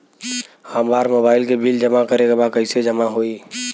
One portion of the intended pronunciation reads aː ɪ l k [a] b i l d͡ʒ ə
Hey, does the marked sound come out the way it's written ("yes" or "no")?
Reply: no